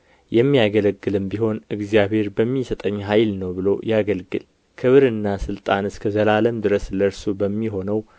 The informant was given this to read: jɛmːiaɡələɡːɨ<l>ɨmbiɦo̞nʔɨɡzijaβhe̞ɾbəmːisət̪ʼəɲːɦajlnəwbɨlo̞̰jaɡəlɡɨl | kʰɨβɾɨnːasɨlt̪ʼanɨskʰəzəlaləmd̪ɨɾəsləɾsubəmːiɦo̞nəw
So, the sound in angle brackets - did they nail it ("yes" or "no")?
yes